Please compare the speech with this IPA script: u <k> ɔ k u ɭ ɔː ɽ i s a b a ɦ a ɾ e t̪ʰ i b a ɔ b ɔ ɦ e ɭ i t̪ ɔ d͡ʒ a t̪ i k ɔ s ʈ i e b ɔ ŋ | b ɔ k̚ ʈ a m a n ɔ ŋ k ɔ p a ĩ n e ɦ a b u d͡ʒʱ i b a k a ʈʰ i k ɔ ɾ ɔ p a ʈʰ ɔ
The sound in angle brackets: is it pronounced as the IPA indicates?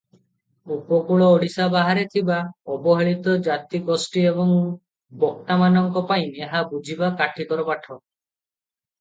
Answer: no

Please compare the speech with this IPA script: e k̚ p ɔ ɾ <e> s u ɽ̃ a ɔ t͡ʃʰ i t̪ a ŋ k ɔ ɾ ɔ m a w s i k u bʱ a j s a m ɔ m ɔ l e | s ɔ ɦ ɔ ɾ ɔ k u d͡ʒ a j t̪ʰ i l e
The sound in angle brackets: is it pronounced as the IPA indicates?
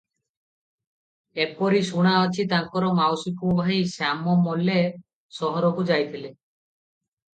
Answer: no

